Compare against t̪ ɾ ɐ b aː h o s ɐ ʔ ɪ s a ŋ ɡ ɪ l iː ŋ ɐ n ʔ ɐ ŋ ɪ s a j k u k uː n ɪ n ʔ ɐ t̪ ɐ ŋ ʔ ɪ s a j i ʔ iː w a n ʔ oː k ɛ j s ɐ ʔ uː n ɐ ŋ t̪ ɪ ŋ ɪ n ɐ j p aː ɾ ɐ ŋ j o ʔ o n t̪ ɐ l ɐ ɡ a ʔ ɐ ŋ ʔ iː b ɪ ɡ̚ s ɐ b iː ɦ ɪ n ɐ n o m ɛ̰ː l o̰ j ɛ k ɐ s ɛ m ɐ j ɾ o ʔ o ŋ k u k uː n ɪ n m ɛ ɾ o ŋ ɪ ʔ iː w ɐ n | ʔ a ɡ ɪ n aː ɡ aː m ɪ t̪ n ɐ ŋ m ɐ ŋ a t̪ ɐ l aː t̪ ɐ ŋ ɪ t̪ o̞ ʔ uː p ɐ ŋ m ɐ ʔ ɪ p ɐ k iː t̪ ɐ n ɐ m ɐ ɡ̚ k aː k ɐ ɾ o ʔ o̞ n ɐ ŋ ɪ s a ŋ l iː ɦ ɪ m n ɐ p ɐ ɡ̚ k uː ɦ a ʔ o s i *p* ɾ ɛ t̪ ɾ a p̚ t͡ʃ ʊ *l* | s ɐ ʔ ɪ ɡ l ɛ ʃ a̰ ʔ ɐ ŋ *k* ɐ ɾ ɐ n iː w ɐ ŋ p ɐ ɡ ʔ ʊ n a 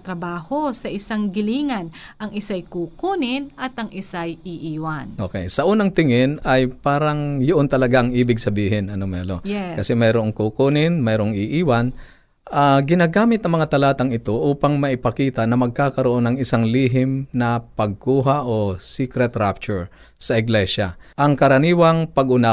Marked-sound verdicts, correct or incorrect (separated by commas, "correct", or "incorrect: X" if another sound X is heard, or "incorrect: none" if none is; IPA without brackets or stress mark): incorrect: k, incorrect: ɹ, correct